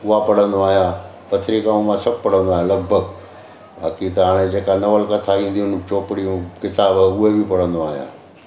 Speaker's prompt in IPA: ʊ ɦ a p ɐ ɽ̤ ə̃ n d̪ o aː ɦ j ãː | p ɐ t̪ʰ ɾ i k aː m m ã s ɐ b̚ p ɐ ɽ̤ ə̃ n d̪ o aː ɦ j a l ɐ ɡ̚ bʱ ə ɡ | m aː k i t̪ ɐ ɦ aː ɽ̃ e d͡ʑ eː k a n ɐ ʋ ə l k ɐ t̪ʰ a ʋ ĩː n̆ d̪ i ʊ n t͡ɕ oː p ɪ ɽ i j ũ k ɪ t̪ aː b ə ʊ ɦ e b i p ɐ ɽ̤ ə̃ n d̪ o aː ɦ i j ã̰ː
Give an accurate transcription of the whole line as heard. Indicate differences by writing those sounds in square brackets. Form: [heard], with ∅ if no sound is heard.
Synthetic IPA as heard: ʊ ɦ a p ɐ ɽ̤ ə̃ n d̪ o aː ɦ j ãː | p ɐ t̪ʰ ɾ i k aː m m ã s ɐ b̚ p ɐ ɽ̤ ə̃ n d̪ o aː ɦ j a l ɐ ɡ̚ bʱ ə ɡ | [b] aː k i t̪ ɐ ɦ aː ɽ̃ e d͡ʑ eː k a n ɐ ʋ ə l k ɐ t̪ʰ a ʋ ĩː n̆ d̪ i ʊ n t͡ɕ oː p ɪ ɽ i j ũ k ɪ t̪ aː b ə ʊ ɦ e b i p ɐ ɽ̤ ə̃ n d̪ o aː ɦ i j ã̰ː